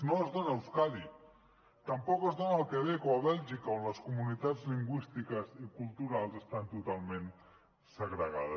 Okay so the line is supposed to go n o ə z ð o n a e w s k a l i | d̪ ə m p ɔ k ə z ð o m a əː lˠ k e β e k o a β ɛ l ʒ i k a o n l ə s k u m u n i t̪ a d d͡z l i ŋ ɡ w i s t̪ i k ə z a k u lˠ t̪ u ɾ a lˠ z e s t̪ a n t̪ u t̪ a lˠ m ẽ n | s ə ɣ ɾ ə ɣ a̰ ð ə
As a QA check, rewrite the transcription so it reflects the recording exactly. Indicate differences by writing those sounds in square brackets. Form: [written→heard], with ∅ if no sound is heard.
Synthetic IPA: n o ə z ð o n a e w s k a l i | [d̪→t̪] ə m p ɔ k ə z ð o [m→n] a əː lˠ k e β e k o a β ɛ l ʒ i k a o n l ə s k u m u n i t̪ a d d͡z l i ŋ ɡ w i s t̪ i k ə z [a→i] k u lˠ t̪ u ɾ a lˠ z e s t̪ a n t̪ u t̪ a lˠ m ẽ n | s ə ɣ ɾ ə ɣ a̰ ð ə